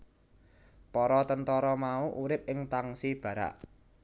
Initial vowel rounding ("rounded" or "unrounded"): rounded